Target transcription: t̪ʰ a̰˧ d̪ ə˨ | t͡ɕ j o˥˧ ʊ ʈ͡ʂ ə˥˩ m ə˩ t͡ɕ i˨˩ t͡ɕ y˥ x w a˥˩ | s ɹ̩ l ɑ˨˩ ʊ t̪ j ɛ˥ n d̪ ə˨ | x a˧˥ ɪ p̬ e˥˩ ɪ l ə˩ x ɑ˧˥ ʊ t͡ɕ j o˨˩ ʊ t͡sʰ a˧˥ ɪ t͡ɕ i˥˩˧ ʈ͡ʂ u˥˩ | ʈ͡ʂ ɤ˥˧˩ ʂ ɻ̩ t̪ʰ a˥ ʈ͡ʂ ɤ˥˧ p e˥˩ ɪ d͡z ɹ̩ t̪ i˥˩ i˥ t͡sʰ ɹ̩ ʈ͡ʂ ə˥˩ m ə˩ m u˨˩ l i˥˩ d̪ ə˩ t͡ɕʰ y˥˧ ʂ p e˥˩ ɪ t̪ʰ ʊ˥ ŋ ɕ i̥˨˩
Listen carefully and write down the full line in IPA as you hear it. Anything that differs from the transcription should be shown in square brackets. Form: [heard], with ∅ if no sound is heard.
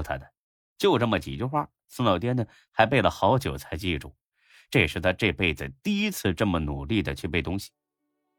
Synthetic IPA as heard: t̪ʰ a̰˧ d̪ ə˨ | t͡ɕ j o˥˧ ʊ ʈ͡ʂ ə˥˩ m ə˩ t͡ɕ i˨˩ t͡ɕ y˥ x w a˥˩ | s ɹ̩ l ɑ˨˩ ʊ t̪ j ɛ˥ n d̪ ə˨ | x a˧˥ ɪ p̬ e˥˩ ɪ l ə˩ x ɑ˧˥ ʊ t͡ɕ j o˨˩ ʊ t͡sʰ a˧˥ ɪ t͡ɕ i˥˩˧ ʈ͡ʂ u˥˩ | ʈ͡ʂ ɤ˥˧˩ ʂ ɻ̩ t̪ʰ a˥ ʈ͡ʂ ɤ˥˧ p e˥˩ ɪ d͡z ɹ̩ t̪ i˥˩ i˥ t͡sʰ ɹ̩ ʈ͡ʂ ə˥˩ m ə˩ [n] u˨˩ l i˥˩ d̪ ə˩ t͡ɕʰ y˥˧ [∅] p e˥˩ ɪ [t̪] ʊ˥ ŋ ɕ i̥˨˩